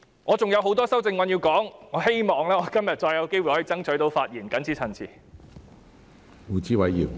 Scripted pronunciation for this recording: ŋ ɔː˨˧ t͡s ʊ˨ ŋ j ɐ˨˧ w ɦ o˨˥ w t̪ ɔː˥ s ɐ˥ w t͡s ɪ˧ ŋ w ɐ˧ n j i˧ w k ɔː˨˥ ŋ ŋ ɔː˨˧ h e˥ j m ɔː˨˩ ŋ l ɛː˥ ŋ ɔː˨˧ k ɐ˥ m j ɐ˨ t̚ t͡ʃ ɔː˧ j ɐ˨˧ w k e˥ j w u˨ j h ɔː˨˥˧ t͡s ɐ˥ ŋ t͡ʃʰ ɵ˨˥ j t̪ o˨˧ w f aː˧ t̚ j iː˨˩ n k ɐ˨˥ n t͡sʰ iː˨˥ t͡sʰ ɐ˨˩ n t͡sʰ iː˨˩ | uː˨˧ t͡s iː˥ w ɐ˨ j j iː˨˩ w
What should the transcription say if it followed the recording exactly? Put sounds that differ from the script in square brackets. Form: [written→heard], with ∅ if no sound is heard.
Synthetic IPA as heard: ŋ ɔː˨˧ t͡s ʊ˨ ŋ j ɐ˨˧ w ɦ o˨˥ w t̪ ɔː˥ s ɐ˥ w t͡s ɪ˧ ŋ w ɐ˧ n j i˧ w k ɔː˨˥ ŋ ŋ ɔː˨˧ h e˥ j m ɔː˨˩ ŋ l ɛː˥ ŋ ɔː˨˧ k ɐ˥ m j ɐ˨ t̚ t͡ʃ ɔː˧ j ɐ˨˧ w k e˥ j w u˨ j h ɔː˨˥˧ t͡s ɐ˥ ŋ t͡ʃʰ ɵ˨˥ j t̪ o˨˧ w f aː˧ t̚ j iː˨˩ n k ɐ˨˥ n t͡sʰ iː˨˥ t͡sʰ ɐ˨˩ n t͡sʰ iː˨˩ | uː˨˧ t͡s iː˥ w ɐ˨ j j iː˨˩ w